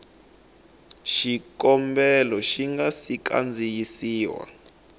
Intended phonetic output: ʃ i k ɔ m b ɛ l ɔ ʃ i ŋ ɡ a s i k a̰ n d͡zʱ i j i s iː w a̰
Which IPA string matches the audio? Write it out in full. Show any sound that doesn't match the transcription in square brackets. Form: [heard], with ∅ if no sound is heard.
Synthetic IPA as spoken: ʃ i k ɔ m b ɛ l ɔ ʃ i ŋ ɡ a s i k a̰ n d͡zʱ i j i s iː w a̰